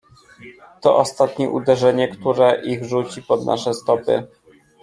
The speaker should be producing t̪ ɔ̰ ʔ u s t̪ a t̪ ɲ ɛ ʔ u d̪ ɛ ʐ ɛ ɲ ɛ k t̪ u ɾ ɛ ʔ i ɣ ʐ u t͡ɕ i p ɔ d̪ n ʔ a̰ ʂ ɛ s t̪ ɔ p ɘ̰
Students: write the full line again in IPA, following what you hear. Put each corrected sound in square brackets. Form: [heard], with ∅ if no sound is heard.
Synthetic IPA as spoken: t̪ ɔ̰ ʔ [ɔ] s t̪ a t̪ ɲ ɛ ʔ u d̪ ɛ ʐ ɛ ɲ ɛ k t̪ u ɾ ɛ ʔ i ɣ ʐ u t͡ɕ i p ɔ d̪ n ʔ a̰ ʂ ɛ s t̪ ɔ p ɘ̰